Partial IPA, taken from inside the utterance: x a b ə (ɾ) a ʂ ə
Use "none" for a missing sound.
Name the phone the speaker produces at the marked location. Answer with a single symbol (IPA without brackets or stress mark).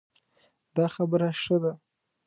ɾ